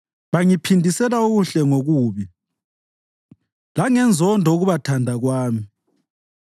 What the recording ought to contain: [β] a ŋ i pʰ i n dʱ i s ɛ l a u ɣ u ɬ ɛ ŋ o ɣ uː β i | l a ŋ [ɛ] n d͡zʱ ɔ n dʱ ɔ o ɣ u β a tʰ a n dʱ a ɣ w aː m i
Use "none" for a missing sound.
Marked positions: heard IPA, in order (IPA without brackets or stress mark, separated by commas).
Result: β, ɛ